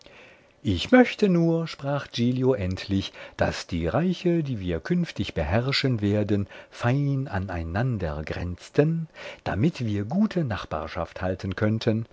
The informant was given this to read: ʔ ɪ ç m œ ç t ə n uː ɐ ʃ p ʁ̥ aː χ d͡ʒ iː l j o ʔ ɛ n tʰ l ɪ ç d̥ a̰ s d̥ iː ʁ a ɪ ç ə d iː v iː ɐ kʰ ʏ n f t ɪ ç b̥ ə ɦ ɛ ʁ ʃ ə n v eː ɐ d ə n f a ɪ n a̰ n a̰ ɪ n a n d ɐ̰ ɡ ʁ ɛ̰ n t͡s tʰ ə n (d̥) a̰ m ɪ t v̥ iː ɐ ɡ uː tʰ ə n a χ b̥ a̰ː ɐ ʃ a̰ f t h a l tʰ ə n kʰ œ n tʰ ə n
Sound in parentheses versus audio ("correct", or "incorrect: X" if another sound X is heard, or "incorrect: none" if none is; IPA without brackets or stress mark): correct